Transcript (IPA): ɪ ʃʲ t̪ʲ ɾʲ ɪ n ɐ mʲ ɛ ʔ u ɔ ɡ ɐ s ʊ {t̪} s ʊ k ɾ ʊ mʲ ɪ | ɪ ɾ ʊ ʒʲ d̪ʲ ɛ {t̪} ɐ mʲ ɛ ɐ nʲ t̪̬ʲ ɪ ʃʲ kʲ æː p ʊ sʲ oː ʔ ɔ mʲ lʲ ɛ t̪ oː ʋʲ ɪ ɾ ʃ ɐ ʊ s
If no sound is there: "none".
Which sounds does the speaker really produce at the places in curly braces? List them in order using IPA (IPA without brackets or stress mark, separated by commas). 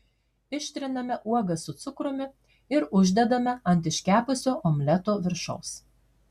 t̪, d̪